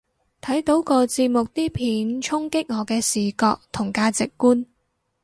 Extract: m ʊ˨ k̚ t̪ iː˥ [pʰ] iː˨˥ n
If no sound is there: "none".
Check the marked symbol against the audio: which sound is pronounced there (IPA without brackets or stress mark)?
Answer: pʰ